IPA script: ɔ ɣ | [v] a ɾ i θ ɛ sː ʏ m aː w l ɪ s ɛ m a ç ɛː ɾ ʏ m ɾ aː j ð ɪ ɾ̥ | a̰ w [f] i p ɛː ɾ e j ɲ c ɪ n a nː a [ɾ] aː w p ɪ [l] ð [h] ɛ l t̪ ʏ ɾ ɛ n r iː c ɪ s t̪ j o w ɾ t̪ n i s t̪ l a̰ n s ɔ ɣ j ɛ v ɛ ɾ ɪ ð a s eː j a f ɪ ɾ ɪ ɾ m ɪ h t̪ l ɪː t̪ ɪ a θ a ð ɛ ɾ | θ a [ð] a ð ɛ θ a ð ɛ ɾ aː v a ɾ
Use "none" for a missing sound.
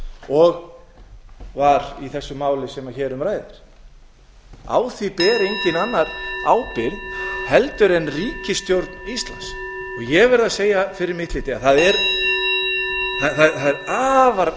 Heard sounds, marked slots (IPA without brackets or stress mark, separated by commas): v, θ, ɾ, ɾ, h, θ